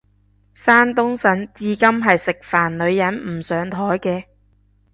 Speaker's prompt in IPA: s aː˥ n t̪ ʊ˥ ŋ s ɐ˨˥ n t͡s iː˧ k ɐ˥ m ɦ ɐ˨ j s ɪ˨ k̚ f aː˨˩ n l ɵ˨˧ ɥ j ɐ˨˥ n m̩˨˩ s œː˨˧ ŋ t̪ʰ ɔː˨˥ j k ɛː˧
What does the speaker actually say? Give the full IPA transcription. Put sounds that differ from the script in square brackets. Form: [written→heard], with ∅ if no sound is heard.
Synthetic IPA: s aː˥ n t̪ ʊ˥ ŋ s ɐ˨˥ n t͡s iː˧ k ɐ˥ m ɦ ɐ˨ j s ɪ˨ k̚ f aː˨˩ n l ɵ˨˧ ɥ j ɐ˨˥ n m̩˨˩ s œː˨˧ ŋ t̪ʰ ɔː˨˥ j k ɛː˧